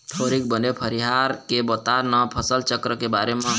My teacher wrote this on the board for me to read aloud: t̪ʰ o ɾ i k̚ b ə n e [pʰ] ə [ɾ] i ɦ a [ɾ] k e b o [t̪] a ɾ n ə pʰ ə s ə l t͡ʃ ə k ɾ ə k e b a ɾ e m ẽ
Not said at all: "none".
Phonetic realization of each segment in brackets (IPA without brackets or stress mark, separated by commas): pʰ, ɾ, ɾ, t̪